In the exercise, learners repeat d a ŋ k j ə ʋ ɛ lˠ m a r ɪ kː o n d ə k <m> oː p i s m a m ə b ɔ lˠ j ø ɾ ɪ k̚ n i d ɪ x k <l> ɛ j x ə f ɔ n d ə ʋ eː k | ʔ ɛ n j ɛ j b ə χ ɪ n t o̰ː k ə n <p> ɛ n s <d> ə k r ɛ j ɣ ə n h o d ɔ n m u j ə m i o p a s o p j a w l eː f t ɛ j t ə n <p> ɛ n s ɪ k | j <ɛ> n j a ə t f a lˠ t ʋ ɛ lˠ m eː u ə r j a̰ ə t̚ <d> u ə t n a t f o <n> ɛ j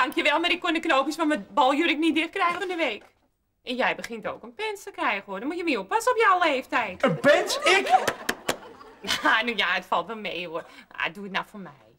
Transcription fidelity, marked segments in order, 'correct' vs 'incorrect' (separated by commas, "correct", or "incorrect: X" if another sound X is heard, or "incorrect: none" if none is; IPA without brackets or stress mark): incorrect: n, incorrect: r, correct, incorrect: t, correct, incorrect: a, correct, incorrect: m